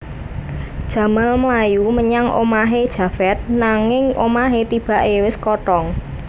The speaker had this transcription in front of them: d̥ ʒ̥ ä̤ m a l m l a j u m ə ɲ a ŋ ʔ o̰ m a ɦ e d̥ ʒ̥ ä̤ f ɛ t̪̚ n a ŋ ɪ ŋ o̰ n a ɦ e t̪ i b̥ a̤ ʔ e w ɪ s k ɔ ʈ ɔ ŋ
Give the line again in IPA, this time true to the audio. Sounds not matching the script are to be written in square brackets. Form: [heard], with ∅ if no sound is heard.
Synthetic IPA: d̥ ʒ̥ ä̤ m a l m l a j u m ə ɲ a ŋ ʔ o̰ m a ɦ e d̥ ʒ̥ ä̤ f ɛ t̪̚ n a ŋ ɪ ŋ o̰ [m] a ɦ e t̪ i b̥ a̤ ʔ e w ɪ s k ɔ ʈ ɔ ŋ